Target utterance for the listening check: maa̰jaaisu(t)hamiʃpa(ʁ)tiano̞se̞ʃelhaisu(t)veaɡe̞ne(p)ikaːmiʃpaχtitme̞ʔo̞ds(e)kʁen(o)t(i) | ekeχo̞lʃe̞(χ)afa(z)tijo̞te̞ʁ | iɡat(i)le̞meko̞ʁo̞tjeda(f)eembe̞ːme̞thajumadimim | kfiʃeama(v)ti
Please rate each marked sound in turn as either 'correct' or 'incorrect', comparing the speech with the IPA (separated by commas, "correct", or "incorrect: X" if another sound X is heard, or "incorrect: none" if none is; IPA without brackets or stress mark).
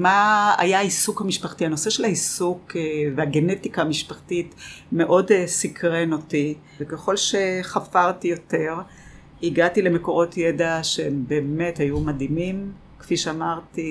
incorrect: k, incorrect: χ, incorrect: k, incorrect: t, incorrect: i, correct, correct, correct, incorrect: ʁ, correct, incorrect: ʃ, incorrect: ʁ